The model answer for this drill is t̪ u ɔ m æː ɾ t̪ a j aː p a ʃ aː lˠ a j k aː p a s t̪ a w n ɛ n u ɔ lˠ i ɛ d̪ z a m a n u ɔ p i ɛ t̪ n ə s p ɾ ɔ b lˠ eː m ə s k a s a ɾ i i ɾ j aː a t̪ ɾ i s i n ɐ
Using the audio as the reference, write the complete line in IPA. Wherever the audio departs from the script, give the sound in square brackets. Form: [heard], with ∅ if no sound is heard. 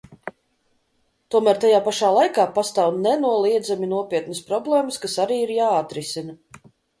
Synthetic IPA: t̪ u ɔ m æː ɾ t̪ a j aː p a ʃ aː lˠ a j k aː p a s t̪ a w n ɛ n u ɔ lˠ i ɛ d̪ z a m [i] n u ɔ p i ɛ t̪ n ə s p ɾ ɔ b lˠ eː m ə s k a s a ɾ [iː] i ɾ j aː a t̪ ɾ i s i n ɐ